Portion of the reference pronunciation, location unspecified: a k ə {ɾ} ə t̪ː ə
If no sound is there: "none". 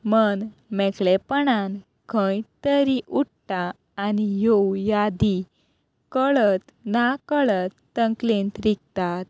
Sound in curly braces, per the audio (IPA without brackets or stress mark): ɭ